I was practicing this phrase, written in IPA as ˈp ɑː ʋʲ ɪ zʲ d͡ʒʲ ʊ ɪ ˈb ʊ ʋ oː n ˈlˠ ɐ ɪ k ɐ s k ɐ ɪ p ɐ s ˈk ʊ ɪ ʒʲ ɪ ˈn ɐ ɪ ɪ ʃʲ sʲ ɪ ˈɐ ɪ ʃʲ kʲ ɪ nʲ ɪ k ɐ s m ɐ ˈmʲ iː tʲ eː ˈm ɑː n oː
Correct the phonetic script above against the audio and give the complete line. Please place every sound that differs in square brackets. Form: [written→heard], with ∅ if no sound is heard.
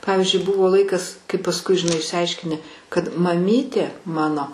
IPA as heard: ˈp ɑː ʋʲ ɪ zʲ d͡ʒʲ ʊ ɪ ˈb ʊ ʋ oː [n→∅] ˈlˠ ɐ ɪ k ɐ s k ɐ ɪ p ɐ s ˈk ʊ ɪ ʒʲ ɪ ˈn ɐ ɪ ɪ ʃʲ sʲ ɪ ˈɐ ɪ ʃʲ kʲ ɪ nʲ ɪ k ɐ [s→t] m ɐ ˈmʲ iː tʲ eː ˈm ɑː n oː